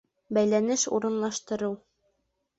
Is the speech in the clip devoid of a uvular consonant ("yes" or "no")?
yes